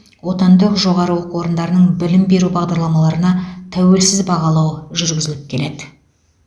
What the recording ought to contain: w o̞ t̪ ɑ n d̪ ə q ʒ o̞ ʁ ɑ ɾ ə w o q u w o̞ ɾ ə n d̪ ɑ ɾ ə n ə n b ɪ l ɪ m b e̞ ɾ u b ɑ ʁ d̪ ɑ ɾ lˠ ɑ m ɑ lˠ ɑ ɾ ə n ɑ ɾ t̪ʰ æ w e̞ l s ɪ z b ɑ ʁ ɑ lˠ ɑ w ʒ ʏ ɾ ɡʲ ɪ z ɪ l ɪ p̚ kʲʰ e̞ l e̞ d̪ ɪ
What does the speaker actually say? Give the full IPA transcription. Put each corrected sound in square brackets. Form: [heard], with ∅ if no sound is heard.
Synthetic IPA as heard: w o̞ t̪ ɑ n d̪ ə q ʒ o̞ ʁ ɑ ɾ ə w o q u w o̞ ɾ ə n d̪ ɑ ɾ ə n ə [ɴ] b ɪ l ɪ m b e̞ ɾ u b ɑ ʁ d̪ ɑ ɾ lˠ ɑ m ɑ lˠ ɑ ɾ ə n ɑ [∅] t̪ʰ æ w e̞ l s ɪ z b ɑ ʁ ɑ lˠ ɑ w ʒ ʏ ɾ ɡʲ ɪ z ɪ l ɪ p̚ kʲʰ e̞ l e̞ d̪ ɪ

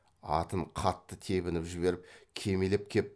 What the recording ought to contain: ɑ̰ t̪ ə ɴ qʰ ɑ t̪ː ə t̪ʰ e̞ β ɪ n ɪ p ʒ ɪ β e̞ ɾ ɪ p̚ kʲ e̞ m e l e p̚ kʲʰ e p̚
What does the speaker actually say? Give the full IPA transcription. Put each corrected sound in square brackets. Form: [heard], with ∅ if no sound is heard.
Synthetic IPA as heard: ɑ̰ t̪ ə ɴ qʰ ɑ t̪ː ə t̪ʰ e̞ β ɪ n ɪ p ʒ ɪ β e̞ ɾ ɪ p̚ [kʲʰ] e̞ m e l e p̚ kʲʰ e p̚

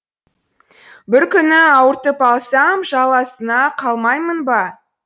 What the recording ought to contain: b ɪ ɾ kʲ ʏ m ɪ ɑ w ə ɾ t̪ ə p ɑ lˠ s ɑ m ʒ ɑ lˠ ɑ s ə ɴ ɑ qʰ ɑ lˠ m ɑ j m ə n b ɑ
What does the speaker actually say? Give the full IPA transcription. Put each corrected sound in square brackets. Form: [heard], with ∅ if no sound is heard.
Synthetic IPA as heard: b ɪ ɾ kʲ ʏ [n] ɪ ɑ w ə ɾ t̪ ə p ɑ lˠ s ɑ m ʒ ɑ lˠ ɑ s ə [n] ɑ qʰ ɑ lˠ m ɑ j m ə n b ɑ

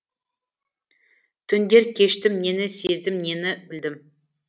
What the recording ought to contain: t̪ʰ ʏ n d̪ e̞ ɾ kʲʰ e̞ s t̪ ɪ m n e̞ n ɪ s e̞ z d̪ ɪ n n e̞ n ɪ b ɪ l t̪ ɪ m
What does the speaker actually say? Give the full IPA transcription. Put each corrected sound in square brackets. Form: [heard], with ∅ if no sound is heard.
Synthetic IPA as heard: t̪ʰ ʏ n d̪ e̞ ɾ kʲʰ e̞ [ʃ] t̪ ɪ m n e̞ n ɪ s e̞ z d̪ ɪ [m] n e̞ n ɪ b ɪ l [d̪] ɪ m

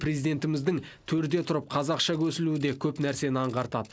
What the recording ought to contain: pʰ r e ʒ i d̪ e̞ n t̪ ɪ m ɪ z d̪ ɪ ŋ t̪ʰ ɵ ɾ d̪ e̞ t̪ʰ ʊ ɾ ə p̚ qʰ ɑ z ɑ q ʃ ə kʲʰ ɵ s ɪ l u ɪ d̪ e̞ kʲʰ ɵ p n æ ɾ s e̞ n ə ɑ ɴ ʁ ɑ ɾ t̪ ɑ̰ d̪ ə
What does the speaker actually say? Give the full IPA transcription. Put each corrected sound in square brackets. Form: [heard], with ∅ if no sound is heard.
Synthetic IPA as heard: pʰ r e [z] i d̪ e̞ n t̪ ɪ m ɪ z d̪ ɪ ŋ t̪ʰ ɵ ɾ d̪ e̞ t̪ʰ ʊ ɾ ə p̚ qʰ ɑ z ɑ q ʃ [ɑ] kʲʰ ɵ s ɪ l u ɪ d̪ e̞ kʲʰ ɵ p n æ ɾ s e̞ n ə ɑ ɴ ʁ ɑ ɾ t̪ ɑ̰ d̪ ə

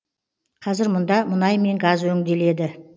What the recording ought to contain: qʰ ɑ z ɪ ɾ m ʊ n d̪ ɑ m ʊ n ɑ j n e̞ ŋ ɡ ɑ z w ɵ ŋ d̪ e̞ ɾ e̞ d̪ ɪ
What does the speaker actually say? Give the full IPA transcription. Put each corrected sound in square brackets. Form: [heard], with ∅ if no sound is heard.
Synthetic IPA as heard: qʰ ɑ z ɪ ɾ m ʊ n d̪ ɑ m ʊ n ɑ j [m] e̞ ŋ ɡ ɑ z w ɵ ŋ d̪ e̞ [l] e̞ d̪ ɪ

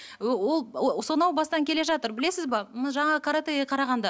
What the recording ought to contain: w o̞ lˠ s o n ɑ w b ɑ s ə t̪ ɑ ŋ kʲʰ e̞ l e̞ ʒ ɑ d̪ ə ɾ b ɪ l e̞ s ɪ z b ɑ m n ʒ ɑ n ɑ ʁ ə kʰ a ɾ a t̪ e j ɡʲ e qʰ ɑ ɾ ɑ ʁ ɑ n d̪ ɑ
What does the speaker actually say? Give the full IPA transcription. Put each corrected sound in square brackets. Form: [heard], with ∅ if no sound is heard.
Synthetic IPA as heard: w o̞ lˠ s o n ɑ w b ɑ s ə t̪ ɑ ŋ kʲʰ e̞ l e̞ ʒ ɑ [t̪] ə ɾ b ɪ l e̞ s ɪ z b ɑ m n ʒ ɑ [ɴ] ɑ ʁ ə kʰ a ɾ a t̪ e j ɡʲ e qʰ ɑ ɾ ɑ ʁ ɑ n d̪ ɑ

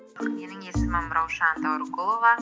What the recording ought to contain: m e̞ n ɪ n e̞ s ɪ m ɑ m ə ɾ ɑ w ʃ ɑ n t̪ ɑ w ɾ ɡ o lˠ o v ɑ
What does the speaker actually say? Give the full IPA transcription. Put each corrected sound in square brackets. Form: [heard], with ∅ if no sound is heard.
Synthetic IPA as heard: m e̞ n ɪ [ŋ] e̞ s ɪ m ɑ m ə ɾ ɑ w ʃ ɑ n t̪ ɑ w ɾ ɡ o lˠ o v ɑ

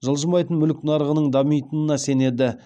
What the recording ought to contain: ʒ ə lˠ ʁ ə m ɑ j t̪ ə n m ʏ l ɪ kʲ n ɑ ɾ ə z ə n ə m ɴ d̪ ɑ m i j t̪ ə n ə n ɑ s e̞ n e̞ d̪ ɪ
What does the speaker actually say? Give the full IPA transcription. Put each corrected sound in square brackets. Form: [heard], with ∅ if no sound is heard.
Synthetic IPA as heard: ʒ ə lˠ [ʒ] ə m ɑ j t̪ ə n m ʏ l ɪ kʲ n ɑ ɾ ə [ʁ] ə n ə [∅] ɴ d̪ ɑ m i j t̪ ə n ə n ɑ s e̞ n e̞ d̪ ɪ

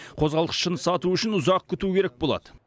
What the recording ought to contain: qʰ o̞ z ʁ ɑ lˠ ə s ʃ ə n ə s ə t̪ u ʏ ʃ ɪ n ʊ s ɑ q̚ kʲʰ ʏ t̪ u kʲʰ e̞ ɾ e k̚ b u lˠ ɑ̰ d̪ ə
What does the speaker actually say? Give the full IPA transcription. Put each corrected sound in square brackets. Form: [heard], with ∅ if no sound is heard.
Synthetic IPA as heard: qʰ o̞ z ʁ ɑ lˠ ə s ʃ ə n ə s [ɑ] t̪ u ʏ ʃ ɪ n ʊ [z] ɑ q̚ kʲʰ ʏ t̪ u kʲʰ e̞ ɾ e k̚ b [o] lˠ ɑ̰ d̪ ə

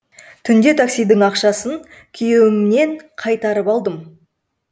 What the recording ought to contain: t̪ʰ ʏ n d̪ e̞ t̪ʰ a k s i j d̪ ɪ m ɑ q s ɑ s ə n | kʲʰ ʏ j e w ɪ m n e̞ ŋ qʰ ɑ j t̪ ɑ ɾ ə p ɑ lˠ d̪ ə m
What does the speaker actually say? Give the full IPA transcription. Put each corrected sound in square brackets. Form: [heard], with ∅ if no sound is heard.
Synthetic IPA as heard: t̪ʰ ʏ n d̪ e̞ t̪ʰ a k s i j d̪ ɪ [ŋ] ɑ q [ʃ] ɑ s ə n | kʲʰ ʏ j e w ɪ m n e̞ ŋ qʰ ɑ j t̪ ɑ ɾ ə p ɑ lˠ d̪ ə m

